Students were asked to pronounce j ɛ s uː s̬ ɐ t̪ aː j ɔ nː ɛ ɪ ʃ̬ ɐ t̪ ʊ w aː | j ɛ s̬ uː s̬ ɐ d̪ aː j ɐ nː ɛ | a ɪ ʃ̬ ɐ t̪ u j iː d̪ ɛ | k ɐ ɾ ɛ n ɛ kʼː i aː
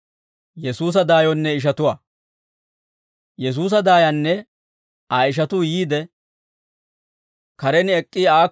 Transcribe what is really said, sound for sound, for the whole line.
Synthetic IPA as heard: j ɛ s uː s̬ ɐ d̪ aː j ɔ nː ɛ ɪ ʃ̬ ɐ t̪ ʊ w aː | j ɛ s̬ uː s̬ ɐ d̪ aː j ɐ nː ɛ | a ɪ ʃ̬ ɐ t̪ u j iː d̪ ɛ | k ɐ ɾ ɛ n ɛ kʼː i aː